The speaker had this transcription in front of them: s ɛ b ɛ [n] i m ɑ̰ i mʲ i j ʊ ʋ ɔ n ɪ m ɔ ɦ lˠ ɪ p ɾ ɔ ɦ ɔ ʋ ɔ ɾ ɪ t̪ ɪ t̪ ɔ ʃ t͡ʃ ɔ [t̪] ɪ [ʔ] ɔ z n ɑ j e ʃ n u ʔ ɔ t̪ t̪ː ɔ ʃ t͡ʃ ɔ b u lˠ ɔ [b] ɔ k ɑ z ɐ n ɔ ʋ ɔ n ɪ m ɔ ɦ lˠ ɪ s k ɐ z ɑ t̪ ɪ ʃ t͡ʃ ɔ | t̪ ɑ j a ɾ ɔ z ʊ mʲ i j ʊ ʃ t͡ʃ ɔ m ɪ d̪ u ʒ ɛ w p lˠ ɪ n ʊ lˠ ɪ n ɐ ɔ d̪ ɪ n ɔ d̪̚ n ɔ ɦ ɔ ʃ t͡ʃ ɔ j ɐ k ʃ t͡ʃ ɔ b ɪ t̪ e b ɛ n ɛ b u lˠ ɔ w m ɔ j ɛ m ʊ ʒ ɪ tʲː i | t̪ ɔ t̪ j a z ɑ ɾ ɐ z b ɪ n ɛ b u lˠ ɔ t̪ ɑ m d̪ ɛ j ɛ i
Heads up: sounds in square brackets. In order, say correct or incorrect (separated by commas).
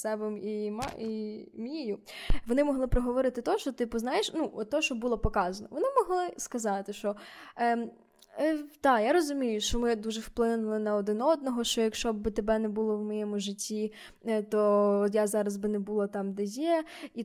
incorrect, correct, incorrect, incorrect